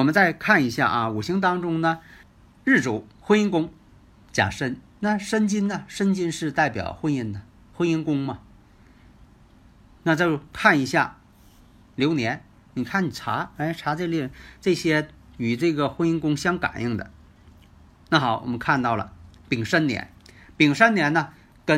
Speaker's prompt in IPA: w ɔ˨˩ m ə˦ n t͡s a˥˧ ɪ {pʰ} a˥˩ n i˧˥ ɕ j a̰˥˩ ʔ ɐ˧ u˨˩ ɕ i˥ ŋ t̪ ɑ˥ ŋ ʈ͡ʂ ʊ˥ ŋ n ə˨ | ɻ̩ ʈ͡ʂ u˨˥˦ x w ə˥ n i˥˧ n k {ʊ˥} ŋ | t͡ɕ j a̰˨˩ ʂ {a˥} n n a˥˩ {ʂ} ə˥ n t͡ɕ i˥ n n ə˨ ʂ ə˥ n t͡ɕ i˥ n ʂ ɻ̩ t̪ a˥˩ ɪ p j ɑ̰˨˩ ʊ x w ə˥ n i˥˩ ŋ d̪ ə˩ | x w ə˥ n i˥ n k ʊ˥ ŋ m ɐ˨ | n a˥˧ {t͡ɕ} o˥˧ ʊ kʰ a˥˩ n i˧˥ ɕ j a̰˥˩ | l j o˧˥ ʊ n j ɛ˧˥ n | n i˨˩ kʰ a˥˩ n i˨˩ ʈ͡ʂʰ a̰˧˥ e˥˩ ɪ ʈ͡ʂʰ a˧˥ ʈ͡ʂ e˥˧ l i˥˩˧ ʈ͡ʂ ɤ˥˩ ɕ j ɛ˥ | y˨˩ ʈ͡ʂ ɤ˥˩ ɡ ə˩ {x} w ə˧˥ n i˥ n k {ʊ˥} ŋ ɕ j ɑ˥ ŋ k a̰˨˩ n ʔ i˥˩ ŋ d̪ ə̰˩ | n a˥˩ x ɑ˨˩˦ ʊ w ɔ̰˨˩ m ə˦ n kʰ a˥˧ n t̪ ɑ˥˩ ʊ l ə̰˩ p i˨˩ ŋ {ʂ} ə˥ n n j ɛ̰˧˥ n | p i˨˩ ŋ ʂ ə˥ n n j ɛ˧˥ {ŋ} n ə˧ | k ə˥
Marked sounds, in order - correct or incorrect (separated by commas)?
incorrect, correct, incorrect, correct, correct, correct, correct, correct, incorrect